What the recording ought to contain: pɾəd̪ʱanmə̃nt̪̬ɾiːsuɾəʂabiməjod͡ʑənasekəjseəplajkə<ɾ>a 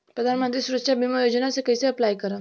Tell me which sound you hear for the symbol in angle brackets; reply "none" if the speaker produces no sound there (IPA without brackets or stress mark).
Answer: ɾ